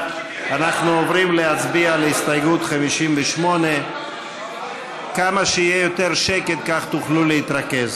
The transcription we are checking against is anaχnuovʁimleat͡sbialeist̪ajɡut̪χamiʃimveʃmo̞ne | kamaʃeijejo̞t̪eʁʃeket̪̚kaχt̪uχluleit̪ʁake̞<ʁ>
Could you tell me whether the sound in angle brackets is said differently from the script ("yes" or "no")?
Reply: yes